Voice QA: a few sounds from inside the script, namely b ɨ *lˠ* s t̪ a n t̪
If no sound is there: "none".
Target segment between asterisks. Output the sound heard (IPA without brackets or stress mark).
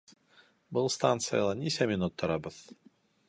lˠ